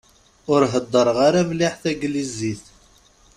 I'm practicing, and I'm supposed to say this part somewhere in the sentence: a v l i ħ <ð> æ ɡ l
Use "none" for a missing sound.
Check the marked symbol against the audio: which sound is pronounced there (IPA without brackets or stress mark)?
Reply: θ